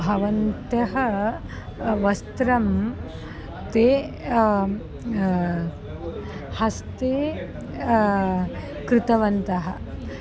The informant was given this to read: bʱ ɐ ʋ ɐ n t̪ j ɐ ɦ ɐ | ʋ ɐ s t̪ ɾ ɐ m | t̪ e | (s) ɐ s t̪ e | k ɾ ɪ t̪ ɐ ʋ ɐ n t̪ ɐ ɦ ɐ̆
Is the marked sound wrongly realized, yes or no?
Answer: yes